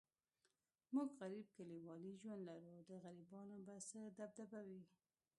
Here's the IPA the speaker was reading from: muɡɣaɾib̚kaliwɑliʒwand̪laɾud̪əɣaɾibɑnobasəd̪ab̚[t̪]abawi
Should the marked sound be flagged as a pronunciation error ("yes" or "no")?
yes